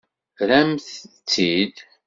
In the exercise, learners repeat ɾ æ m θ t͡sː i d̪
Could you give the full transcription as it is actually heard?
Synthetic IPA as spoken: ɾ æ m θ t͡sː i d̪